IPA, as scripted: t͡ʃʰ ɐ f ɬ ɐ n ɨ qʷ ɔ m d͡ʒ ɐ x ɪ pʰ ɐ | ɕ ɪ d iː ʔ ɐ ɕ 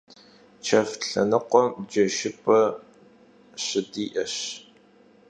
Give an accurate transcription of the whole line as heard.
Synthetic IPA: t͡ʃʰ ɐ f ɬ ɐ n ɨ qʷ ɔ m d͡ʒ ɐ ʃ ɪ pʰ ɐ | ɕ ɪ d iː ʔ ɐ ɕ